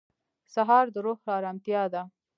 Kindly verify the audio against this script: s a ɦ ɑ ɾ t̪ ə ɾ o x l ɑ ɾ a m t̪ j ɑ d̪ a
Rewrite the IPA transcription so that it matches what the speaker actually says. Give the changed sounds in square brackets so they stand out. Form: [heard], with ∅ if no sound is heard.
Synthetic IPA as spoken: s a ɦ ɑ ɾ [d̪] ə ɾ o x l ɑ ɾ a m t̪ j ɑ d̪ a

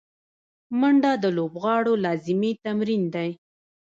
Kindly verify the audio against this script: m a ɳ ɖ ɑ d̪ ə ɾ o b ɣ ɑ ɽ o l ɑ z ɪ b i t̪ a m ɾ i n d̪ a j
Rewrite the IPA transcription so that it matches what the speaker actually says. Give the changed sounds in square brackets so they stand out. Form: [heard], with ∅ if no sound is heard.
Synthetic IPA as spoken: m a ɳ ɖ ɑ d̪ ə [l] o b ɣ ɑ ɽ o l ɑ z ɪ [m] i t̪ a m ɾ i n d̪ a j

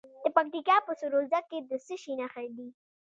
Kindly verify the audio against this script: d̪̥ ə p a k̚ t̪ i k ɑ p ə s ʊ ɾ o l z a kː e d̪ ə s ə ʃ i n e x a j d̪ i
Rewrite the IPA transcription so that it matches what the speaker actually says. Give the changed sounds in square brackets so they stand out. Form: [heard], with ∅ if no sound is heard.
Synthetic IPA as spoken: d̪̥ ə p a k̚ t̪ i k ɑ p ə s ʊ ɾ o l z a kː e d̪ ə s ə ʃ i n [a] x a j d̪ i

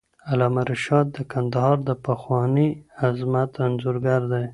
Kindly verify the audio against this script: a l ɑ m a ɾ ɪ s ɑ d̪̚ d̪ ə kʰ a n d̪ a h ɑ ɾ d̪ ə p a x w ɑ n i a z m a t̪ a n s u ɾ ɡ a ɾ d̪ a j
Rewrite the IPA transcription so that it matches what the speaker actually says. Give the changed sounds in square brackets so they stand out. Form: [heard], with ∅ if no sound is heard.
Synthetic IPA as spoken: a l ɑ m a ɾ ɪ [ʃ] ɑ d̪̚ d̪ ə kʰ a n d̪ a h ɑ ɾ d̪ ə p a x w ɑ n i a z m a t̪ a n [z] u ɾ ɡ a ɾ d̪ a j

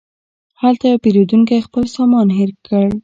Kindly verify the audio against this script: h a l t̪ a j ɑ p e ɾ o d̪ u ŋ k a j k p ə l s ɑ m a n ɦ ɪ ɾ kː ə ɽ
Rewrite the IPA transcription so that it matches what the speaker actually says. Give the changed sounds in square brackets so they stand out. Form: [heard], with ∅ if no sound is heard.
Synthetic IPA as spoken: h a l t̪ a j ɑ p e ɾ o d̪ u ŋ k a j [x] p ə l s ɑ m [ɑ] n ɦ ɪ ɾ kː ə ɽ

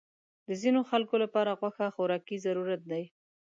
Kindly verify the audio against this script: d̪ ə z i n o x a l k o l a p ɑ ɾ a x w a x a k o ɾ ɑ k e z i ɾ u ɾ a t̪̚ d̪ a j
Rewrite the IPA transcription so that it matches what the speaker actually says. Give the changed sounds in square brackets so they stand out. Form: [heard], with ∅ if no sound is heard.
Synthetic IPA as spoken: d̪ ə z i n o x a l k o l a p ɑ ɾ a [ɣ] w a x a [x] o ɾ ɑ k [i] z [a] ɾ u ɾ a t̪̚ d̪ a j

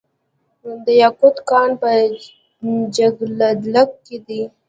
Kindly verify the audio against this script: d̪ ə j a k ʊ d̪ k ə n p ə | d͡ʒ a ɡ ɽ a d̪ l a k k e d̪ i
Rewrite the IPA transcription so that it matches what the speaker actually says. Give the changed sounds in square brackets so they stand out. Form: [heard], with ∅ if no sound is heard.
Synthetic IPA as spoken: d̪ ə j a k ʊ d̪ k [ɑ] n p ə | d͡ʒ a ɡ [l] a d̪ l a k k e d̪ i

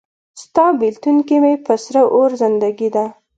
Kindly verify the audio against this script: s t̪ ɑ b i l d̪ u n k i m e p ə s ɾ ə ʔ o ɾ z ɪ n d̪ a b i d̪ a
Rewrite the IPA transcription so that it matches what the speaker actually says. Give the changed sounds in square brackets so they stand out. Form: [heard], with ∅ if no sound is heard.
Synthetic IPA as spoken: s t̪ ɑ b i l [t̪] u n k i m e p ə s ɾ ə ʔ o ɾ z ɪ n d̪ a [ɡ] i d̪ a

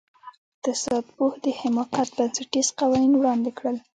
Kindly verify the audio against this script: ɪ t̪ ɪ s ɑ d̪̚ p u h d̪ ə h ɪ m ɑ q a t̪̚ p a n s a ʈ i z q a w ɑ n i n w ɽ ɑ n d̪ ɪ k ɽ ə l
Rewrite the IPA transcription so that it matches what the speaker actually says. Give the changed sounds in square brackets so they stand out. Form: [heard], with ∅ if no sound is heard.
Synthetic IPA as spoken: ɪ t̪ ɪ s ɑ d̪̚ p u h d̪ ə h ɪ m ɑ q a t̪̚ [b] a n s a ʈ i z q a w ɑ n i n w ɽ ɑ n d̪ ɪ k ɽ ə l

